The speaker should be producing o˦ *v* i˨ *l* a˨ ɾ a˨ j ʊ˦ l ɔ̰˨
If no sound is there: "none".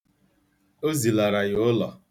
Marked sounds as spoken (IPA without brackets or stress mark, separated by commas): z, l